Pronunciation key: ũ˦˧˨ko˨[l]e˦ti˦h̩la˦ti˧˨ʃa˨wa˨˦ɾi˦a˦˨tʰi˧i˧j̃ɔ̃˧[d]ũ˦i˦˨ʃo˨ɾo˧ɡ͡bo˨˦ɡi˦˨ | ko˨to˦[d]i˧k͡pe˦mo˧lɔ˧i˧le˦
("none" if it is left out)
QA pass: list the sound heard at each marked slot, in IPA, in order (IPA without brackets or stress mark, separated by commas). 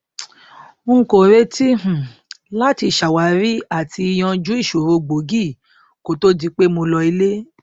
ɾ, d͡ʒ, d